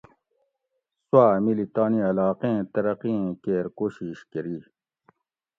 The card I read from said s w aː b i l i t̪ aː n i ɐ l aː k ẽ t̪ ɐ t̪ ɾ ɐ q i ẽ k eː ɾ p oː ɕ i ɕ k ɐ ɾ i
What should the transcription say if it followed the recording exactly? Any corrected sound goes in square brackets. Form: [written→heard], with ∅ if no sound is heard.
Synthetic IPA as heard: s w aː [b→m] i l i t̪ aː n i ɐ l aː [k→q] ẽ t̪ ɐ [t̪→∅] ɾ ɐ q i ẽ k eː ɾ [p→k] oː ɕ i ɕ k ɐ ɾ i

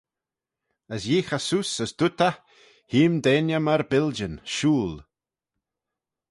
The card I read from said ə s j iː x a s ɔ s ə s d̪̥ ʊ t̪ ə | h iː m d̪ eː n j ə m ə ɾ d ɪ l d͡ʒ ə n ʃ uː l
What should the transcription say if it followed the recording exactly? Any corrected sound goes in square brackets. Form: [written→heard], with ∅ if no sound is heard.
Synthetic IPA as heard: ə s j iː x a s [ɔ→u] s ə s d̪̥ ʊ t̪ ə | h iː m d̪ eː n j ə m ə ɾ [d→b] ɪ l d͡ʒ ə n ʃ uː l

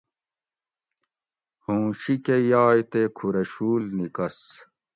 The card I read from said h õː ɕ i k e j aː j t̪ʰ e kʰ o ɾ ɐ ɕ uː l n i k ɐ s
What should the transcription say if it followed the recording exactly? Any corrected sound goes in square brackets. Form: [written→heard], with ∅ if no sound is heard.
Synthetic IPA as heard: h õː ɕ i k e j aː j [t̪ʰ→t̪] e kʰ [o→u] ɾ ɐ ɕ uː l n i k ɐ s

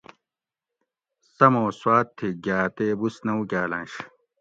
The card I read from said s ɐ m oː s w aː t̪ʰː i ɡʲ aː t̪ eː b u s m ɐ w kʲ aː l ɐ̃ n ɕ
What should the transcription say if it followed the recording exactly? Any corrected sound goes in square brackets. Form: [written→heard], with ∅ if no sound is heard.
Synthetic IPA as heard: s ɐ m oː s w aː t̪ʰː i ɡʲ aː t̪ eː b u s [m→n] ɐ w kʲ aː l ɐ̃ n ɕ

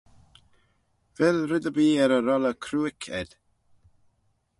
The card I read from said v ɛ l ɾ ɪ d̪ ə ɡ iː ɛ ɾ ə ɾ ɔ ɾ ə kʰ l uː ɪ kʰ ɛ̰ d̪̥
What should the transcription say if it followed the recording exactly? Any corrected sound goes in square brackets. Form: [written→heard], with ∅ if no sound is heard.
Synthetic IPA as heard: v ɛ l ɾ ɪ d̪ ə [ɡ→b] iː ɛ ɾ ə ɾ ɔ [ɾ→l] ə kʰ [l→ɾ] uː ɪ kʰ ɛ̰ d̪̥

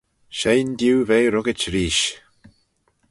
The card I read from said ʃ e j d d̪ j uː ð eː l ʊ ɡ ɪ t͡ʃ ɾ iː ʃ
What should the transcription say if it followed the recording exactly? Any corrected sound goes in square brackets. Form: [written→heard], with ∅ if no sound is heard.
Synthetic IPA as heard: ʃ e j [d→n] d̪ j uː [ð→v] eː [l→ɾ] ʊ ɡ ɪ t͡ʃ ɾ iː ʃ

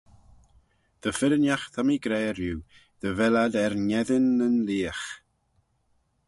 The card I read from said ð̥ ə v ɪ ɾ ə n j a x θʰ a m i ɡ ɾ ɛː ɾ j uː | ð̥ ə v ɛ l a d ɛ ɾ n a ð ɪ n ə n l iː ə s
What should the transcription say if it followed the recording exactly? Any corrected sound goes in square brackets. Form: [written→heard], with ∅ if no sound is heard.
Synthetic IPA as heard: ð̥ ə [v→f] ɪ ɾ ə n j a x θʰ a m i ɡ ɾ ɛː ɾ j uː | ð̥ ə v ɛ l a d ɛ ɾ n [a→ɛ] ð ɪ n ə n l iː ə [s→x]

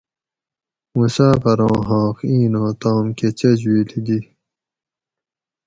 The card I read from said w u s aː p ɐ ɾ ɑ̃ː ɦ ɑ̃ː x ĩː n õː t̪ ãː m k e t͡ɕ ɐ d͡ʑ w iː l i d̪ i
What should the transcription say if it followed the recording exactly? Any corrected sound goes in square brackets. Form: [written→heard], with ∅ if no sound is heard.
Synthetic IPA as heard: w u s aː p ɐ ɾ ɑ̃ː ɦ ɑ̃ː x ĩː n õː t̪ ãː m k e t͡ɕ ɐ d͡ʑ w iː l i d̪ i

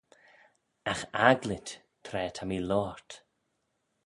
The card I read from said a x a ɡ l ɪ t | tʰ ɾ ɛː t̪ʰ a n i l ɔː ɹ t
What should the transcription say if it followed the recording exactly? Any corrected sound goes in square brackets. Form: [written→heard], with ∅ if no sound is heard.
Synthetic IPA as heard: a x a ɡ l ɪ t | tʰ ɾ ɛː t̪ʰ a [n→m] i l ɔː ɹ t

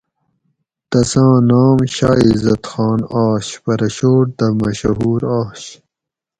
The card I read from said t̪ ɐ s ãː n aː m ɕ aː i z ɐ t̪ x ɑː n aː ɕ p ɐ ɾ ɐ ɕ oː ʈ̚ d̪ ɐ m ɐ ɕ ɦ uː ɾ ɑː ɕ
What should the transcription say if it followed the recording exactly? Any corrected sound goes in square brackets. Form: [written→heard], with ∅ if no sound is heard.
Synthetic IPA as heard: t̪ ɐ s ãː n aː m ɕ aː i z ɐ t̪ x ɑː n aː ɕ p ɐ ɾ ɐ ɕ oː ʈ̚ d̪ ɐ m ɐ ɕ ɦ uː ɾ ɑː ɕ

